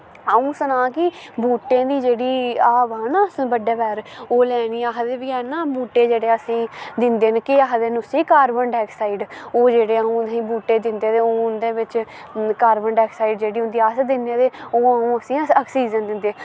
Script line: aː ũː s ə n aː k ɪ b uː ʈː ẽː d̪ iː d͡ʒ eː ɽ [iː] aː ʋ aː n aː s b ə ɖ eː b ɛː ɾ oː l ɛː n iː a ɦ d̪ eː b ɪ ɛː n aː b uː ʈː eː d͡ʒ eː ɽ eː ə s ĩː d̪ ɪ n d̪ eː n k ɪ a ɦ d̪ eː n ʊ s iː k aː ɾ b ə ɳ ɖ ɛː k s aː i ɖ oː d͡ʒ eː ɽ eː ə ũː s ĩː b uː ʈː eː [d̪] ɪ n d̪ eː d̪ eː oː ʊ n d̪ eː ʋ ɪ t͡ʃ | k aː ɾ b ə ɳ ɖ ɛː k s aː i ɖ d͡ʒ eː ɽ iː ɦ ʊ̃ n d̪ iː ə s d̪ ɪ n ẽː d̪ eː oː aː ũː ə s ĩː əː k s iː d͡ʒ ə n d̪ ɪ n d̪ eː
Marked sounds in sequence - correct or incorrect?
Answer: correct, correct

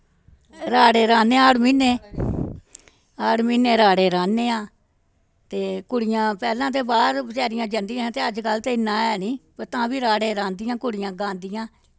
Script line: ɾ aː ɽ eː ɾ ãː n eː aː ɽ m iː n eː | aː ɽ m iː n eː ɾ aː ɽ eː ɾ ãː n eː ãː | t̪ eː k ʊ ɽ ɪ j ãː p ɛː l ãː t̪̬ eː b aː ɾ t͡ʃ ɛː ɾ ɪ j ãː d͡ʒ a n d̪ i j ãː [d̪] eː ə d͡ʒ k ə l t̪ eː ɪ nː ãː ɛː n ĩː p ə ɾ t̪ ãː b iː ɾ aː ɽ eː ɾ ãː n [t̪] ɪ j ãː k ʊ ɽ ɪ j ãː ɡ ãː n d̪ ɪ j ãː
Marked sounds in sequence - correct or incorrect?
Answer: incorrect: t̪, incorrect: d̪

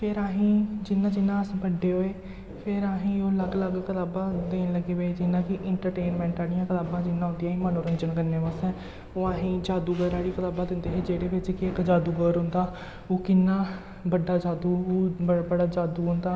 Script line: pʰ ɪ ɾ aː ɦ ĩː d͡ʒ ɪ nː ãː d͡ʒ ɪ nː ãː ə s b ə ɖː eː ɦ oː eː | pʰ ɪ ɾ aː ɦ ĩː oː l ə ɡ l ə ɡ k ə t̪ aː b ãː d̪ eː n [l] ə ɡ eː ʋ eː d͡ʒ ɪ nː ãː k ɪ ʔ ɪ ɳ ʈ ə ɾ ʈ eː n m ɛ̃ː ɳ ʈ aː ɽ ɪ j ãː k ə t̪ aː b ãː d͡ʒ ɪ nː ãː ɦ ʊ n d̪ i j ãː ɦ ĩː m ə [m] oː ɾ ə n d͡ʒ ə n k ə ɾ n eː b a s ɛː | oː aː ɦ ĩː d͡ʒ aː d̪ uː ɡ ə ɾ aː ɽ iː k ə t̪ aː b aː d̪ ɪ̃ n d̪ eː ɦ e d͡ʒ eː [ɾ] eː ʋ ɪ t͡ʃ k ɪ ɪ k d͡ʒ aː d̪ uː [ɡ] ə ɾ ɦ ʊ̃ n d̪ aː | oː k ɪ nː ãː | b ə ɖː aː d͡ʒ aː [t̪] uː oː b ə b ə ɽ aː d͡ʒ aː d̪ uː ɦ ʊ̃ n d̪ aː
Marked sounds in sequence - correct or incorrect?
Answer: correct, incorrect: n, incorrect: ɽ, correct, incorrect: d̪

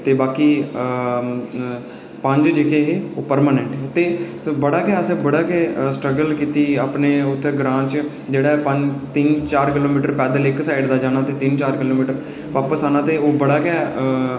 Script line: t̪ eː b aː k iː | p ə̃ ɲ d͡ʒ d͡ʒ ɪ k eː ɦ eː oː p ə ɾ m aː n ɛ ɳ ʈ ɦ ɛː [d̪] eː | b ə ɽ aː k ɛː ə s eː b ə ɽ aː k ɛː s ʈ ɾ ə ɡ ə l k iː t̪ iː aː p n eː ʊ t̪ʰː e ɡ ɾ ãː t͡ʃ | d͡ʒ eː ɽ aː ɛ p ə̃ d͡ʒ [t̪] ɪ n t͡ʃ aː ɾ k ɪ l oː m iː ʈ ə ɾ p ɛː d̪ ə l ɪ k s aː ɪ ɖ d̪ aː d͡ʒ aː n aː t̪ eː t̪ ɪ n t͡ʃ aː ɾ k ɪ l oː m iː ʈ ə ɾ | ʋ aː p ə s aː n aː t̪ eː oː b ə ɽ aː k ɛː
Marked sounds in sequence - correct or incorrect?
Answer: incorrect: t̪, correct

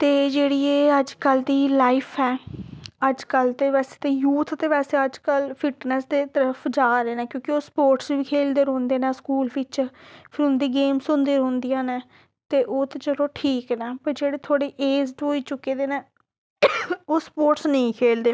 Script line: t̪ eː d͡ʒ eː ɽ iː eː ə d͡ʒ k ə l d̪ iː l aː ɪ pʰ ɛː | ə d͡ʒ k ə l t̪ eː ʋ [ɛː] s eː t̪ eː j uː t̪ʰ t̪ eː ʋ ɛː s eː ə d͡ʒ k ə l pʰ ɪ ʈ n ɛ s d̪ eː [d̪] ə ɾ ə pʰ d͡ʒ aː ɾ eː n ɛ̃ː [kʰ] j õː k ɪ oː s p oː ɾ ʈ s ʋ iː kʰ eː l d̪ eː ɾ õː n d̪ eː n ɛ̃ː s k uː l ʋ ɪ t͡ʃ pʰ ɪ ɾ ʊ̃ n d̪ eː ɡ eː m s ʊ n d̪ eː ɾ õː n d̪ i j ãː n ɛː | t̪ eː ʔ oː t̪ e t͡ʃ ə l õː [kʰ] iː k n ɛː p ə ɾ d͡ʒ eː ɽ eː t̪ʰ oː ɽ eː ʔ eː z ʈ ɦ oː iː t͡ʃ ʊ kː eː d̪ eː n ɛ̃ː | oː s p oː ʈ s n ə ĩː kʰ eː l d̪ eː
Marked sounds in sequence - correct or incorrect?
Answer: correct, incorrect: t̪, incorrect: k, incorrect: ʈʰ

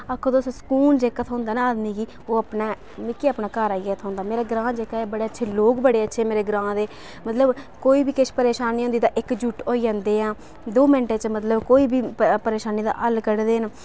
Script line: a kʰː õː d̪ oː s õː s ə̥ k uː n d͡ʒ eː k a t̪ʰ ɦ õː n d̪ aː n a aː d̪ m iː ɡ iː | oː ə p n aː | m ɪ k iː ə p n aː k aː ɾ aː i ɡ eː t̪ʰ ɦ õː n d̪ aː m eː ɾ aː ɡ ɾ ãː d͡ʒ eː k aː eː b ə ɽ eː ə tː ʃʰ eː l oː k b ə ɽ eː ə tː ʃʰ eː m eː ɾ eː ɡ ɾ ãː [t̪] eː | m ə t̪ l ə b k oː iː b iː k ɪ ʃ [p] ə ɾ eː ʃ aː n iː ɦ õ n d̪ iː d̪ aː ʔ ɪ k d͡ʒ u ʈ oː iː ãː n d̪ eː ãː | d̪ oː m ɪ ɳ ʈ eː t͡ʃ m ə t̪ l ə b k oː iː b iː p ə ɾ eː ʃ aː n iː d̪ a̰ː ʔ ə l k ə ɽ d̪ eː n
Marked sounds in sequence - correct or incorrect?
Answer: incorrect: d̪, correct

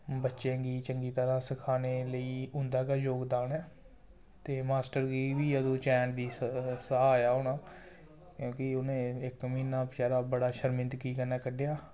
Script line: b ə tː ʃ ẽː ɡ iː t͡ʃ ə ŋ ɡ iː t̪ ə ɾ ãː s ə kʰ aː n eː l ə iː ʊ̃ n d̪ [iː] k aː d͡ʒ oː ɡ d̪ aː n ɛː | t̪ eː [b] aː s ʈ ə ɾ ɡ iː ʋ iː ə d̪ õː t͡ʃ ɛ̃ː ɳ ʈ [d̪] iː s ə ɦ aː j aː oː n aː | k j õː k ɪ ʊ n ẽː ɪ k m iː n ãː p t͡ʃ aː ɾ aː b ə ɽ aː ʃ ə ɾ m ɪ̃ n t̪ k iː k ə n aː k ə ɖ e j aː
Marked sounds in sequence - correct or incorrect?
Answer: incorrect: aː, incorrect: m, correct

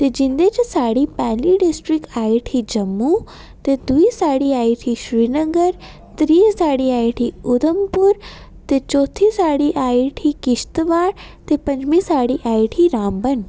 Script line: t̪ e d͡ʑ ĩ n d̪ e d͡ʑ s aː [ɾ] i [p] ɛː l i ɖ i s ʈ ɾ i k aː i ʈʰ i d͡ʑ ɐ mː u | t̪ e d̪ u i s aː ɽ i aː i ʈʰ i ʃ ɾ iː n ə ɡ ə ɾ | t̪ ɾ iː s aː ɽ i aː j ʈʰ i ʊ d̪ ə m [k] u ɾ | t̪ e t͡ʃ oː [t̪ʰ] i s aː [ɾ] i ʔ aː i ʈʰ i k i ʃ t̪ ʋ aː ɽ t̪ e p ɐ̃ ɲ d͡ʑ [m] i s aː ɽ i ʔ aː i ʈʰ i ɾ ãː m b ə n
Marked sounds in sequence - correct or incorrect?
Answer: incorrect: ɽ, correct, incorrect: p, correct, incorrect: ɽ, correct

